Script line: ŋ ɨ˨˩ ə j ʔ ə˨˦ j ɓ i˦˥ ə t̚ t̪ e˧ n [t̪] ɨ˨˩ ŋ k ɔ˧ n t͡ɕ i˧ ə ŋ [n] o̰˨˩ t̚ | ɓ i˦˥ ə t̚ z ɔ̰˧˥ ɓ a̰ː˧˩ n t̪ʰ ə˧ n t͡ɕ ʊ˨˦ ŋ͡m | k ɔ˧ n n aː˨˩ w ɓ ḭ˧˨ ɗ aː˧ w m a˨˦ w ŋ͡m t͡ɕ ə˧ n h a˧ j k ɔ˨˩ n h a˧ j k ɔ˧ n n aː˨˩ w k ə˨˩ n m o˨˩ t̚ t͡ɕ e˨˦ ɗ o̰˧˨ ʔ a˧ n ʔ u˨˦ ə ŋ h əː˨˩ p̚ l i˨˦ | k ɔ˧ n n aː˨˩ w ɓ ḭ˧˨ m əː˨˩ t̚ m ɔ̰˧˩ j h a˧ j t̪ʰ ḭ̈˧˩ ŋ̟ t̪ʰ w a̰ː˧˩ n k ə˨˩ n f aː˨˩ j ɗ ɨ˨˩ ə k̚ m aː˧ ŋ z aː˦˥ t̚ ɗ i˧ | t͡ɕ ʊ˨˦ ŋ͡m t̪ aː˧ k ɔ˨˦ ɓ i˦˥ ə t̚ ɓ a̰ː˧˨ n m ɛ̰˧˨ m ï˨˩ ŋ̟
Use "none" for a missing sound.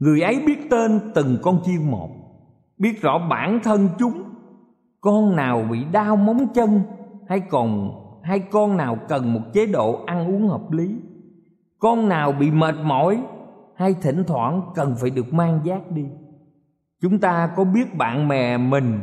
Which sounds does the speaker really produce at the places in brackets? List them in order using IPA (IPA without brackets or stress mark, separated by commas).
t̪, m